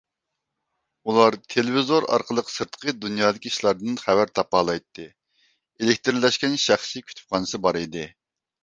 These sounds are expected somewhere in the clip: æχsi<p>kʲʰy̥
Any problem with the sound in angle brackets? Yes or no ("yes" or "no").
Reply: yes